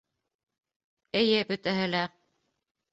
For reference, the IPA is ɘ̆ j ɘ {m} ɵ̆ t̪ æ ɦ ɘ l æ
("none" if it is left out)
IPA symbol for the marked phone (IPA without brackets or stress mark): b